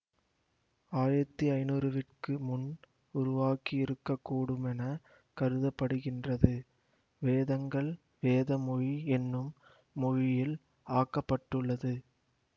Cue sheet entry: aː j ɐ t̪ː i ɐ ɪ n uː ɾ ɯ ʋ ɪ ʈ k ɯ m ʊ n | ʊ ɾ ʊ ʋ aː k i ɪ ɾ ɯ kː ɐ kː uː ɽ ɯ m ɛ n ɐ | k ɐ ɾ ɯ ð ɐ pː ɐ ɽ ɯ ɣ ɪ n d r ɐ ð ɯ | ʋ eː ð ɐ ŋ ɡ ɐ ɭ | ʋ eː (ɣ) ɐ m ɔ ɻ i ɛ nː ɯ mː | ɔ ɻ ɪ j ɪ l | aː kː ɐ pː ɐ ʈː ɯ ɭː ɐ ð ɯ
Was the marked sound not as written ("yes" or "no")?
yes